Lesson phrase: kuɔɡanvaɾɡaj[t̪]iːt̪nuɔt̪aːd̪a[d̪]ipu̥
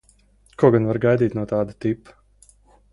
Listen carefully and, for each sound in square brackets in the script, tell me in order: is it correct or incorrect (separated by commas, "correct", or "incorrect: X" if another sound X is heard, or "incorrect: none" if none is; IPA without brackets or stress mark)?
incorrect: d̪, incorrect: t̪